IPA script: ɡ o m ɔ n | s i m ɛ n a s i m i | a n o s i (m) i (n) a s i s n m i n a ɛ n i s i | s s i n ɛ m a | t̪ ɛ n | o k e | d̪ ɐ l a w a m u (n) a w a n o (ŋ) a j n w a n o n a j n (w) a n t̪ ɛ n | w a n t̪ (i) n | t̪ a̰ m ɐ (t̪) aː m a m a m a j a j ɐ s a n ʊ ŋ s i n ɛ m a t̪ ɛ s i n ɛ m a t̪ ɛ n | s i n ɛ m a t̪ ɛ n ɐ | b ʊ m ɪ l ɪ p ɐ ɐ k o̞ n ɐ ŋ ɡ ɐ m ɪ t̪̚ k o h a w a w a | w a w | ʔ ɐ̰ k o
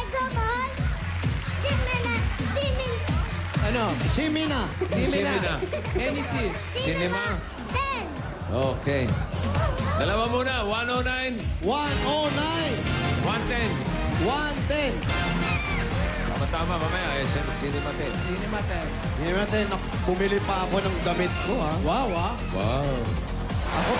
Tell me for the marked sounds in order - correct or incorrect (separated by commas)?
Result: correct, correct, correct, incorrect, correct, incorrect, correct